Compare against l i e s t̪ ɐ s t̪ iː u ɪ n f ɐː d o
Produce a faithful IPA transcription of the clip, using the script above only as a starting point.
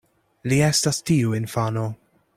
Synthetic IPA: l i ɛ s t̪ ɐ s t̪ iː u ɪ n f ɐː n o